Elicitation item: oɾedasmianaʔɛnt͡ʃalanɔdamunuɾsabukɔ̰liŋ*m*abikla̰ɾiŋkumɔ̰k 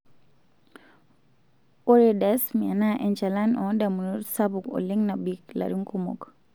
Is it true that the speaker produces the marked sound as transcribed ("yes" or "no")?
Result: no